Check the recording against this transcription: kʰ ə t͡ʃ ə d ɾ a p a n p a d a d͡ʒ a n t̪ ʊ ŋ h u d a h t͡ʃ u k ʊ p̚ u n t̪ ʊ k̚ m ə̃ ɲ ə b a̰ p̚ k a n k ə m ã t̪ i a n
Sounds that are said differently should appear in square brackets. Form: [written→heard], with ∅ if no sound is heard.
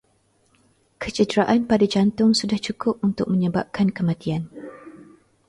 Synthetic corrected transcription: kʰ ə t͡ʃ ə d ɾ a [p→ʔ] a n p a d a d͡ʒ a n t̪ ʊ ŋ [h→s] u d a h t͡ʃ u k ʊ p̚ u n t̪ ʊ k̚ m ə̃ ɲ ə b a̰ p̚ k a n k ə m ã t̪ i a n